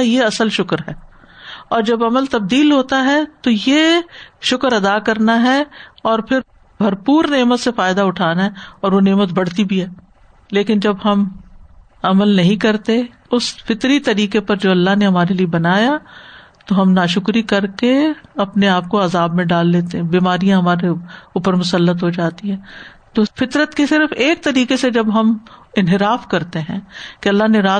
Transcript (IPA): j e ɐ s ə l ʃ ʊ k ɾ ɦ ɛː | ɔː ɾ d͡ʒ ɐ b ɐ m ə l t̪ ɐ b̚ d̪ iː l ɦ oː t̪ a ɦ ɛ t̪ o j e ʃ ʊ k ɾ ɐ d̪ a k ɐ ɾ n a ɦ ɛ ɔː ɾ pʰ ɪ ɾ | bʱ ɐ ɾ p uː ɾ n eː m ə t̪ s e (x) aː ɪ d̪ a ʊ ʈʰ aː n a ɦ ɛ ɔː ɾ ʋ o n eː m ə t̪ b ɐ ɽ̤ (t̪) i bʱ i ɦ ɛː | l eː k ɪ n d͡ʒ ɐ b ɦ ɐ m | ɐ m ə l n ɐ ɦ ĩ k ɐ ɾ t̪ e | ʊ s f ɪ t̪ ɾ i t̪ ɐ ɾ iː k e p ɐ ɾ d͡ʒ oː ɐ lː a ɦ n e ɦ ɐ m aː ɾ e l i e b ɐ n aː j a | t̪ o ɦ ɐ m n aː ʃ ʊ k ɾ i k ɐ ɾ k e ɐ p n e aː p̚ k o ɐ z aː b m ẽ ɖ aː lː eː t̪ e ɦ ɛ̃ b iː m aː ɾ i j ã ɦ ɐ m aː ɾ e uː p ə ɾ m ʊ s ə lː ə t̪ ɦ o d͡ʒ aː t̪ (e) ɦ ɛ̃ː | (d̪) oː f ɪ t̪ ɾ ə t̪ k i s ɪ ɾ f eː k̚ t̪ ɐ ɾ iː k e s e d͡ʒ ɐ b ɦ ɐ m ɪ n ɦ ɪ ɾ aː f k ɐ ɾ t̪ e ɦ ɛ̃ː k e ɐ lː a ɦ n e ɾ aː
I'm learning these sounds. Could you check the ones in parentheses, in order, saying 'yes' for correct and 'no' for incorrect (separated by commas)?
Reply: no, yes, no, no